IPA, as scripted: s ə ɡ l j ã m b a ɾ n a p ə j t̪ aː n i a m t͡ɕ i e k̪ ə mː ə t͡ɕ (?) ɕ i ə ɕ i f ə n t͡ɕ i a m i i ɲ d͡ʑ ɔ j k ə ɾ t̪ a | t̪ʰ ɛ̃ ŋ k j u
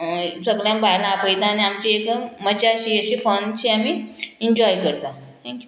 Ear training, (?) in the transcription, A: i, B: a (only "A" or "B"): B